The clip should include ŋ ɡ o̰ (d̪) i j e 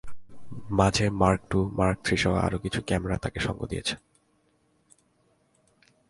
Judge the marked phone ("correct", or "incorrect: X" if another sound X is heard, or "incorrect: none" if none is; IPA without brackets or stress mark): correct